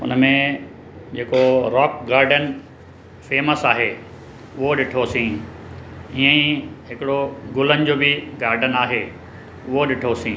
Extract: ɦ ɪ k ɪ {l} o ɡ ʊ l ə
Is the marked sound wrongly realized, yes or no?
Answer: yes